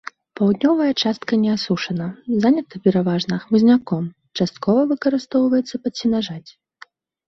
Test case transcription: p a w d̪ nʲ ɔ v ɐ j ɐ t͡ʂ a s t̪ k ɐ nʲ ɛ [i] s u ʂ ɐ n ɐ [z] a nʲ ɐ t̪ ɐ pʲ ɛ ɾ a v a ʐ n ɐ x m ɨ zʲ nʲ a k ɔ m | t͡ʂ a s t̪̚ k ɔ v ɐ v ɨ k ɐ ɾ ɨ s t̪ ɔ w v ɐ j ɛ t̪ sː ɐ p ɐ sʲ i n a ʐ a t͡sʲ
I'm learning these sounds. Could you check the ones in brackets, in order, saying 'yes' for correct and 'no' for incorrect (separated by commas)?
no, yes